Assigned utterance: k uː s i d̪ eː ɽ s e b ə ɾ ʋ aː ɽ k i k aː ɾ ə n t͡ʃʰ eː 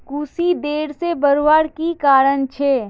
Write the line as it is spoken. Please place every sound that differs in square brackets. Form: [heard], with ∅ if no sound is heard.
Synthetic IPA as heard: k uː s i d̪ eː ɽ s e b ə ɾ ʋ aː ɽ k i k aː ɾ ə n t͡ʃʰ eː